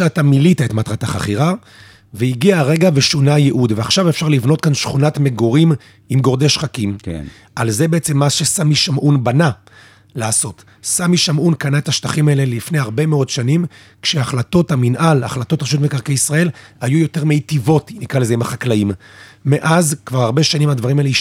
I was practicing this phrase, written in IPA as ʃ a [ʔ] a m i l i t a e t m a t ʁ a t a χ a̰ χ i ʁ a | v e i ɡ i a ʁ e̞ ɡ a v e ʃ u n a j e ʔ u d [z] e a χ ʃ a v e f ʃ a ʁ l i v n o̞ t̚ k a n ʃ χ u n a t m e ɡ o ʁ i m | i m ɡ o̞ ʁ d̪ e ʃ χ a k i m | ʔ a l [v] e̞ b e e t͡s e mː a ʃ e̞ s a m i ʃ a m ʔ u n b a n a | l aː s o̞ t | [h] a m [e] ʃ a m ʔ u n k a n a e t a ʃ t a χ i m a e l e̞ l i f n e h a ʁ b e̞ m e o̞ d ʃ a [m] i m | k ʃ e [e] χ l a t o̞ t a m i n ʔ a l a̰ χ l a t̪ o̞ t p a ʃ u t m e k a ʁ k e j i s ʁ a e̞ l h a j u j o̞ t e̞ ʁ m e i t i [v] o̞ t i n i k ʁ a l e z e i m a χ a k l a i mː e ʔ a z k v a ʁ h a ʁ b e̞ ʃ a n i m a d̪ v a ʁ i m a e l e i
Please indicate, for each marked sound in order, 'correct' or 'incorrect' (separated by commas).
incorrect, incorrect, incorrect, incorrect, incorrect, incorrect, incorrect, correct